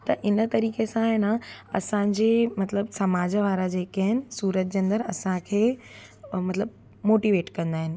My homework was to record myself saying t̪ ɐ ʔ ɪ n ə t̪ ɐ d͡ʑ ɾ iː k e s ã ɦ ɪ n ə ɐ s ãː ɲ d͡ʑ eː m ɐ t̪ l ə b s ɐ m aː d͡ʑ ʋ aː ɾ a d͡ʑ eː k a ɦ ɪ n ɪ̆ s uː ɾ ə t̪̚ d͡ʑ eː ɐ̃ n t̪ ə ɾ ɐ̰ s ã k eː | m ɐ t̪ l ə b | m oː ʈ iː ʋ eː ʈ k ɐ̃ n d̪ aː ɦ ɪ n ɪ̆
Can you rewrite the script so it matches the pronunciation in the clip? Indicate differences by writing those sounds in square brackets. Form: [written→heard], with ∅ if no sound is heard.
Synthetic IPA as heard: t̪ ɐ ʔ ɪ n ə t̪ ɐ [d͡ʑ→∅] ɾ iː k e s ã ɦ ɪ n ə ɐ s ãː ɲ d͡ʑ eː m ɐ t̪ l ə b s ɐ m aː d͡ʑ ʋ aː ɾ a d͡ʑ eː k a ɦ ɪ n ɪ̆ s uː ɾ ə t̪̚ d͡ʑ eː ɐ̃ n [t̪→d̪] ə ɾ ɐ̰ s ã [k→kʰ] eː | m ɐ t̪ l ə b | m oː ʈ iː ʋ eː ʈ k ɐ̃ n d̪ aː ɦ ɪ n ɪ̆